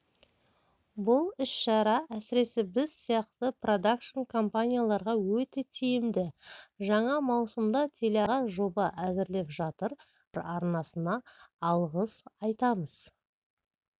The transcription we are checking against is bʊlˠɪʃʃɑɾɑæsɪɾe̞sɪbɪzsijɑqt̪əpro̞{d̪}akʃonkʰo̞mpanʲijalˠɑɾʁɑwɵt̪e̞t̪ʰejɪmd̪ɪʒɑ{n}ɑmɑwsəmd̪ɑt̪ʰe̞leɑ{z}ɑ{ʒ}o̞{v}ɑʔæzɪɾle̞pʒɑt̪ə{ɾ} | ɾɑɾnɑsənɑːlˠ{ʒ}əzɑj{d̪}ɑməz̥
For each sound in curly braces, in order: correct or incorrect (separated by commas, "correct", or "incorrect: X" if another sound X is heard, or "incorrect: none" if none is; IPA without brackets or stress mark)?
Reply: correct, incorrect: ɴ, incorrect: ʁ, correct, incorrect: b, correct, incorrect: ʁ, incorrect: t̪